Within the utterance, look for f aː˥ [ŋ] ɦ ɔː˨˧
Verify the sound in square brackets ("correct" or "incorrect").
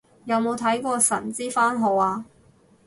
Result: incorrect